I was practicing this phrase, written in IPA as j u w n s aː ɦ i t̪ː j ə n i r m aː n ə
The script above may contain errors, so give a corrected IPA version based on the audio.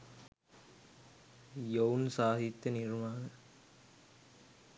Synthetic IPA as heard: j o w n s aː ɦ i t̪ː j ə n i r m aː n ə